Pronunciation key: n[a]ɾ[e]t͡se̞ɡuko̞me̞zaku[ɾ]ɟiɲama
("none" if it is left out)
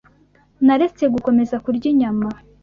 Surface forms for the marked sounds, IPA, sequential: a, e, ɾ

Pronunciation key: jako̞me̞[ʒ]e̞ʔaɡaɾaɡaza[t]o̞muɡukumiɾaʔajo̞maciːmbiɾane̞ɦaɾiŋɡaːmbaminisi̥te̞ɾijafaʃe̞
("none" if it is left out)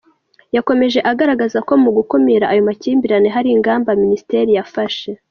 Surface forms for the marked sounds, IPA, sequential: ʒ, k

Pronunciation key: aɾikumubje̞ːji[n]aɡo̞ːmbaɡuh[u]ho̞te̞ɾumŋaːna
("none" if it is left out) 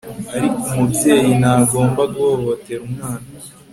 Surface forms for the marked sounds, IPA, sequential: n, o

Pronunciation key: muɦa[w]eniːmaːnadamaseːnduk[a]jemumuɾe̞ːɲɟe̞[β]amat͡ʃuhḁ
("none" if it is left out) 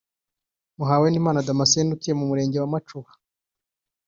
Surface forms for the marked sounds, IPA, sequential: w, i, w

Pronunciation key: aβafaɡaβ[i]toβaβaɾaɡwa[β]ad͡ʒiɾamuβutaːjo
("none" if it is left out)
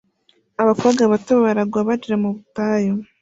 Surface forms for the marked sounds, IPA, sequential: a, β

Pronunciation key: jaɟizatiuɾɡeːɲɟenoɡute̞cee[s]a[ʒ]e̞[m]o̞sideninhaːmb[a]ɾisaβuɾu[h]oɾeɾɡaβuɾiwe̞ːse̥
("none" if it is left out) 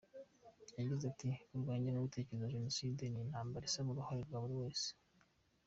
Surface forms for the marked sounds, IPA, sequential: z, ʒ, n, a, h

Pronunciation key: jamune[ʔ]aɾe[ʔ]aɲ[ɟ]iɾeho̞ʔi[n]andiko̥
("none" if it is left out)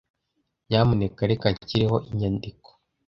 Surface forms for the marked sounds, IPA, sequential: k, k, c, ɲ

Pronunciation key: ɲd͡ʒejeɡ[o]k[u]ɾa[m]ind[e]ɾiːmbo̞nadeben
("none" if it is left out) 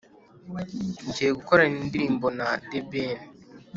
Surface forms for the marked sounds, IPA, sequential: u, o, n, i

